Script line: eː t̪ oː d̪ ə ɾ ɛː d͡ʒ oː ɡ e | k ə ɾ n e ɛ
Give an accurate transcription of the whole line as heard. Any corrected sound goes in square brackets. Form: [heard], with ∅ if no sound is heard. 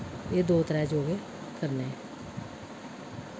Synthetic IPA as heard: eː [d̪] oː [t̪] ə ɾ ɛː d͡ʒ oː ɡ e | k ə ɾ n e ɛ